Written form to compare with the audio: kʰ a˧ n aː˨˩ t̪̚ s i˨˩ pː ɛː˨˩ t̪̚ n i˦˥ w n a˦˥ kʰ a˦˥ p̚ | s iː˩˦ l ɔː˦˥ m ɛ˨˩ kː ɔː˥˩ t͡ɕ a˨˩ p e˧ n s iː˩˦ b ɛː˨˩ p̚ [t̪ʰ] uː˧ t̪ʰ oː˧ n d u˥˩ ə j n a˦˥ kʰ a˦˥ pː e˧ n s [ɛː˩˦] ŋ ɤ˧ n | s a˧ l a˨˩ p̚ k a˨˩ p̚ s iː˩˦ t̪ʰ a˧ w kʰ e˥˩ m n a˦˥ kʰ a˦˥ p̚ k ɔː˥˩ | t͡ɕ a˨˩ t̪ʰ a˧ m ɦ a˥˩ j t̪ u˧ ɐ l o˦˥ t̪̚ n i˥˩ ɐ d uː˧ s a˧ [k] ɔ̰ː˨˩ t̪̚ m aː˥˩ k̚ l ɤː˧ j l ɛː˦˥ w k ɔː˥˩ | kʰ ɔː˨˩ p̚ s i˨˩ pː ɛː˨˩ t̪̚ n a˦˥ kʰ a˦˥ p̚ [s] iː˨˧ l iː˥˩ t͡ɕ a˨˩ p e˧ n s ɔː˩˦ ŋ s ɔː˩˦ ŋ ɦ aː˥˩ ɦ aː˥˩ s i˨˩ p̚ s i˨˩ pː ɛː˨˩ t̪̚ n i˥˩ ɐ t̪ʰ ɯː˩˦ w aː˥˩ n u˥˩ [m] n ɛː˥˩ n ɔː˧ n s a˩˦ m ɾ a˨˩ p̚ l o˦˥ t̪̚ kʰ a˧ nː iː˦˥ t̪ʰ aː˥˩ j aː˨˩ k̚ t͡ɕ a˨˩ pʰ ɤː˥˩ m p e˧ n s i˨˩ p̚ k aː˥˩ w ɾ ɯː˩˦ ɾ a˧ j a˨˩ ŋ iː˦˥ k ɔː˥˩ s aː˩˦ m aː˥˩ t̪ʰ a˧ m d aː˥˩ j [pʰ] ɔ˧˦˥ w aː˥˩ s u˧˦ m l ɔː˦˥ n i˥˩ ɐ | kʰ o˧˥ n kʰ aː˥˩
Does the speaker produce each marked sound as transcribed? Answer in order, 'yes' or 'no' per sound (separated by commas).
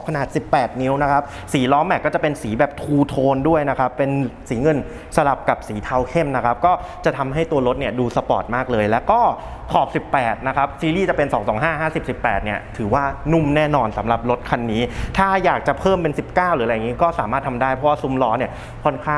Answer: yes, no, no, yes, yes, yes